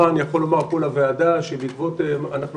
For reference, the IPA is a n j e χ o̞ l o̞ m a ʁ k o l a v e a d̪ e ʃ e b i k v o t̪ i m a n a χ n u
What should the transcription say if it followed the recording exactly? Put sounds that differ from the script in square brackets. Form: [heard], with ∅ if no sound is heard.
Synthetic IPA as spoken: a n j [a] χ o̞ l o̞ m a ʁ k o l a v e a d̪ [a] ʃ e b i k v o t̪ [e] m a n a χ n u